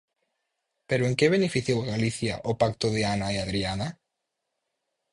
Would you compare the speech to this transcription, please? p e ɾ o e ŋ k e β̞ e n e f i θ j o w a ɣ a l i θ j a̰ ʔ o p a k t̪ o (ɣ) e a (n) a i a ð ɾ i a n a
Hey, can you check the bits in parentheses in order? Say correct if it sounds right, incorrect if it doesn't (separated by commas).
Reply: incorrect, correct